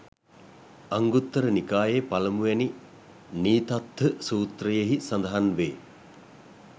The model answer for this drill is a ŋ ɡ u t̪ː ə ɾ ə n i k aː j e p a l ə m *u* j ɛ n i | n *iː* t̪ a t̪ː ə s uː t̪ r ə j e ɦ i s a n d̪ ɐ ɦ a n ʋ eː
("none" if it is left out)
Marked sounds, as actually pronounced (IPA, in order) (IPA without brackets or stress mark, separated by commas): u, iː